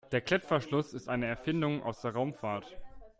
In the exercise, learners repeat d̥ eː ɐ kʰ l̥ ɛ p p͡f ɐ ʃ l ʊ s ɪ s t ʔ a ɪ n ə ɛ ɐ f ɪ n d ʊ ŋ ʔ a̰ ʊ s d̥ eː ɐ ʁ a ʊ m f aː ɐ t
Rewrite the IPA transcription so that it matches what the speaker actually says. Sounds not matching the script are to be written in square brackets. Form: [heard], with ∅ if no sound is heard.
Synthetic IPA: d̥ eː ɐ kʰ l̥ ɛ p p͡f ɐ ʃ l ʊ s ɪ s t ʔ a ɪ n ə ɛ ɐ f ɪ n d ʊ ŋ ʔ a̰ ʊ s d̥ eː ɐ ʁ a ʊ m f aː ɐ t